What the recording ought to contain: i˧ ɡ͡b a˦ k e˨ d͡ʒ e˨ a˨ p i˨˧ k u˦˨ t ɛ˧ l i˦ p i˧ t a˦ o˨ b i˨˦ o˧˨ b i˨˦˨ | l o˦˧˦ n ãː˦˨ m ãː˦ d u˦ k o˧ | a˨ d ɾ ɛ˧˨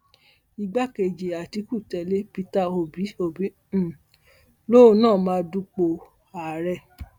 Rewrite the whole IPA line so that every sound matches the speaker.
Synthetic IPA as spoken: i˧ ɡ͡b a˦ k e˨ d͡ʒ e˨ a˨ t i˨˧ k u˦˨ t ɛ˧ l e˦ p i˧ t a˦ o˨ b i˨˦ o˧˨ b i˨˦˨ | l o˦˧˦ n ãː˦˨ m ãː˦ d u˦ k͡p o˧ | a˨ ɾ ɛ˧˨